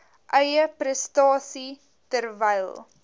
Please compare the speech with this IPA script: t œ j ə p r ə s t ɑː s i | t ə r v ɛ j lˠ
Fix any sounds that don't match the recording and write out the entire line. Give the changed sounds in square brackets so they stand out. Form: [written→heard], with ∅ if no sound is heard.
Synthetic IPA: [t→ʔ] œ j ə p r ə s t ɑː s i | t ə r v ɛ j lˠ